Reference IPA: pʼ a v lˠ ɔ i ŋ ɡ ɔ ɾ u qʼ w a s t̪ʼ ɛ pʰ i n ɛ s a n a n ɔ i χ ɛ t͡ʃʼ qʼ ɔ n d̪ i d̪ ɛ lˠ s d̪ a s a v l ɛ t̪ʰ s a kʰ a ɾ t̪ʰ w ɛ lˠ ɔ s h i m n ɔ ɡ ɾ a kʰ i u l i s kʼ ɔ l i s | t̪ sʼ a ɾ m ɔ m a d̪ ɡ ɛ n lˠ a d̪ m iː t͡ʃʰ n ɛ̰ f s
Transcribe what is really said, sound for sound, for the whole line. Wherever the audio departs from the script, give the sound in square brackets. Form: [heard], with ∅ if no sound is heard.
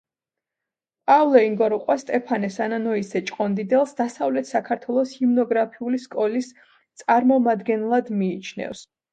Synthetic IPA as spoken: pʼ a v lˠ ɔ i ŋ ɡ ɔ ɾ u qʼ w a s t̪ʼ ɛ pʰ [a] n ɛ s a n a n ɔ i [s] ɛ t͡ʃʼ qʼ ɔ n d̪ i d̪ ɛ lˠ s d̪ a s a v l ɛ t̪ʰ s a kʰ a ɾ t̪ʰ w ɛ lˠ ɔ s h i m n ɔ ɡ ɾ a [pʰ] i u l i s kʼ ɔ l i s | t̪ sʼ a ɾ m ɔ m a d̪ ɡ ɛ n lˠ a d̪ m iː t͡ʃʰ n ɛ̰ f s

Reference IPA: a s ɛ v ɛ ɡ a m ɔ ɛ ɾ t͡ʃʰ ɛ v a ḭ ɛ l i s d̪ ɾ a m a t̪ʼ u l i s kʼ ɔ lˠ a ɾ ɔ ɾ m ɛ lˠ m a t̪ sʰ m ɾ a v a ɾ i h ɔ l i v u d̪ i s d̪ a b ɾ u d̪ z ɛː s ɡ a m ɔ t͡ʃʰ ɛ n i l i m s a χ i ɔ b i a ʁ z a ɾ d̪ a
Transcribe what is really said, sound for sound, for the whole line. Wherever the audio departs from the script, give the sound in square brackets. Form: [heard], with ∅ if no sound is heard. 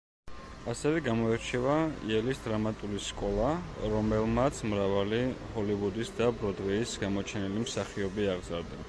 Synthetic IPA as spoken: a s ɛ v ɛ ɡ a m ɔ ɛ ɾ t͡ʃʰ ɛ v a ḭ ɛ l i s d̪ ɾ a m a t̪ʼ u l i s kʼ ɔ lˠ a ɾ ɔ [∅] m ɛ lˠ m a t̪ sʰ m ɾ a v a [l] i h ɔ l i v u d̪ i s d̪ a b ɾ [ɔ] d̪ [ʁ] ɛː s ɡ a m ɔ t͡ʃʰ ɛ n i l i m s a χ i ɔ b i a ʁ z a ɾ d̪ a

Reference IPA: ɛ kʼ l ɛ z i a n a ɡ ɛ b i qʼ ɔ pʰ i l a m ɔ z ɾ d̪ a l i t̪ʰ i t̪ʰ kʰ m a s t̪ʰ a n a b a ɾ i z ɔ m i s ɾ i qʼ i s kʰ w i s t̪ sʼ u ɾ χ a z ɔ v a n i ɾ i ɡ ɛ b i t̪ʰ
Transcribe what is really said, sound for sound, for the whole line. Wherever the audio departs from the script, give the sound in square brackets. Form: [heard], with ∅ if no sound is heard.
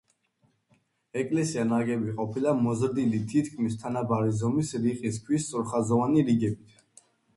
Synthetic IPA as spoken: ɛ kʼ l ɛ [s] i a n a ɡ ɛ b i qʼ ɔ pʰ i l a m ɔ z ɾ d̪ [i] l i t̪ʰ i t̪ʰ kʰ m [i] s t̪ʰ a n a b a ɾ i z ɔ m i s ɾ i qʼ i s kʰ w i s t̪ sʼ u ɾ χ a z ɔ v a n i ɾ i ɡ ɛ b i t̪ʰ

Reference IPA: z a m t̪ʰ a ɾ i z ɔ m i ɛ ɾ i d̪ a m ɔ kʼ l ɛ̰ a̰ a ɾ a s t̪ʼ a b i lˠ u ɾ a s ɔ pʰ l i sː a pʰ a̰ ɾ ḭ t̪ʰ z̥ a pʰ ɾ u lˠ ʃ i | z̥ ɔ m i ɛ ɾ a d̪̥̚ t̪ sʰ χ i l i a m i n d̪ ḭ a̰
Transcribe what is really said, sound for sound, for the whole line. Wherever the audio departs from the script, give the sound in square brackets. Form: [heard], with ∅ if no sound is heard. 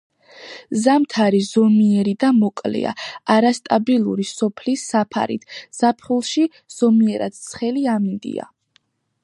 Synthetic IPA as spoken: z a m t̪ʰ a ɾ i z ɔ m i ɛ ɾ i d̪ a m ɔ kʼ l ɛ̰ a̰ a ɾ a s t̪ʼ a b i lˠ u ɾ [i] s ɔ pʰ l i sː a pʰ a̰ ɾ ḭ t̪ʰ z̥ a pʰ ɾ u lˠ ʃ i | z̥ ɔ m i ɛ ɾ a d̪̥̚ t̪ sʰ χ [ɛ] l i a m i n d̪ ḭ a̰

